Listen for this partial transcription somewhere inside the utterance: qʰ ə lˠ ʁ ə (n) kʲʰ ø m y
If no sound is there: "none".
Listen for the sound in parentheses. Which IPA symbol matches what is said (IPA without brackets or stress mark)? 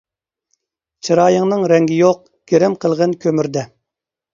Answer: n